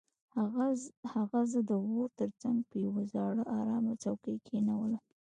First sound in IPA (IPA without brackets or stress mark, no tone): h